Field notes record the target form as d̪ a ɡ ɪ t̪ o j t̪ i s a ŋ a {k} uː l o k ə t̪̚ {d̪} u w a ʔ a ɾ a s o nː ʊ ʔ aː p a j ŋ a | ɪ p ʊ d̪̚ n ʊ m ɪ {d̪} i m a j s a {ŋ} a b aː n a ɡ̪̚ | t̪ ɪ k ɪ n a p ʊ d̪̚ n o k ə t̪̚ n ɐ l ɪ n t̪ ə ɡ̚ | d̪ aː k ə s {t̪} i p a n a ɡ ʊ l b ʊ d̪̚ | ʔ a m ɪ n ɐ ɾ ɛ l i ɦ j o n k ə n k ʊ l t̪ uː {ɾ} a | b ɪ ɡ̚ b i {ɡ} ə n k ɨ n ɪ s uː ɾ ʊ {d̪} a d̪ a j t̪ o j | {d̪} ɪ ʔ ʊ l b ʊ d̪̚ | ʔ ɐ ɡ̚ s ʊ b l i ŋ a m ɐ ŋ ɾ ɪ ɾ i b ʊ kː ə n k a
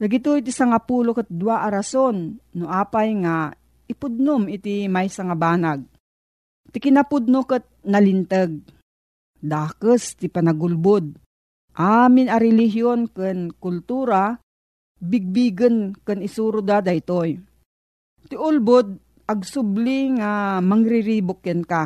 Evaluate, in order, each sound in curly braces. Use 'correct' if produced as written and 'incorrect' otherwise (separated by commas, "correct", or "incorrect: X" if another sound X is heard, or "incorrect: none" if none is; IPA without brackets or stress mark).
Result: incorrect: p, correct, incorrect: t̪, correct, correct, correct, correct, correct, incorrect: t̪